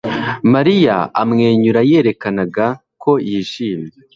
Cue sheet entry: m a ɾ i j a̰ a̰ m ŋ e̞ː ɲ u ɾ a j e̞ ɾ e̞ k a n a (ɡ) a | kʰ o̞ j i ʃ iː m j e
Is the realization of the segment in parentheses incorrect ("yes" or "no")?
no